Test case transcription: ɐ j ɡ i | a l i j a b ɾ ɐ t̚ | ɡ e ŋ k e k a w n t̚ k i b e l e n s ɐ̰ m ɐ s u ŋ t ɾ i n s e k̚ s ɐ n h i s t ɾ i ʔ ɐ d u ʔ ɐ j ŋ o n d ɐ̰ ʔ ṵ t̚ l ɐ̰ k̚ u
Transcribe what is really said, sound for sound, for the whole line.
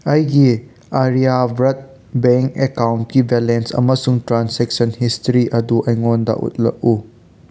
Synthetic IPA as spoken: ɐ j ɡ i | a ɾ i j a b ɾ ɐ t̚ | b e ŋ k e k a w n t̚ k i b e l e n s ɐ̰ m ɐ s u ŋ t ɾ a n s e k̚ s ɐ n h i s t ɾ i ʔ ɐ d u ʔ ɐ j ŋ o n d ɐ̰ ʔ ṵ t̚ l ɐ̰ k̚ u